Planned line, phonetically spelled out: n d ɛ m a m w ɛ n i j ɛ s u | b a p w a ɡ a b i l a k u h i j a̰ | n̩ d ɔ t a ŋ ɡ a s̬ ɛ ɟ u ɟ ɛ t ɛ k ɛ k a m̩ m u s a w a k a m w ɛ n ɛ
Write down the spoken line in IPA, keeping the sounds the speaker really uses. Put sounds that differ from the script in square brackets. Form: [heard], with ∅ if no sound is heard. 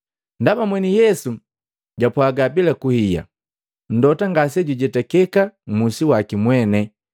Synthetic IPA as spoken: n d [a] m a m w ɛ n i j ɛ s u | [ɟ] a p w a ɡ a b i l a k u h i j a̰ | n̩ d ɔ t a ŋ ɡ a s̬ ɛ ɟ u ɟ ɛ t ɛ k ɛ k a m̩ m u s [i] w a k [i] m w ɛ n ɛ